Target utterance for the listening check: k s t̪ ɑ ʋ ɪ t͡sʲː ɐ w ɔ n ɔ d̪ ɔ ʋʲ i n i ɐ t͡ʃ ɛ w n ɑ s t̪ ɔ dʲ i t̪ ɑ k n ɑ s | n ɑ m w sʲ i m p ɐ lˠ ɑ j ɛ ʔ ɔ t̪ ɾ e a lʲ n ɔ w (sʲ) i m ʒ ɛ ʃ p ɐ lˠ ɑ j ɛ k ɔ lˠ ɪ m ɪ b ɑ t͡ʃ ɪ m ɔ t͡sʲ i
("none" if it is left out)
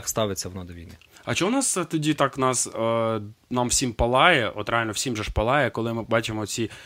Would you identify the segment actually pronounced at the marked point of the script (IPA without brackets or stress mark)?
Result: sʲ